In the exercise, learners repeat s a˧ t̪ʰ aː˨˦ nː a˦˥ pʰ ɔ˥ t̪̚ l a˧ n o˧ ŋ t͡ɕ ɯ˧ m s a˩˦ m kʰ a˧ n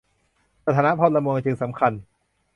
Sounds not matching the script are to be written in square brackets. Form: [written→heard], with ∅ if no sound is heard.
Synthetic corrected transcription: s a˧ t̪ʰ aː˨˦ [nː→n] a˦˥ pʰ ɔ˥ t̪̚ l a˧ [n→m] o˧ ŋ t͡ɕ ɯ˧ [m→ŋ] s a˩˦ m kʰ a˧ n